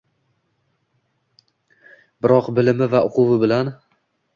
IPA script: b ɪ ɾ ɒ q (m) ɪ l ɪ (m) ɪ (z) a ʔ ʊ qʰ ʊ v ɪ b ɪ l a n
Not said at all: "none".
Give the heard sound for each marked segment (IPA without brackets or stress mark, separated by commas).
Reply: b, m, v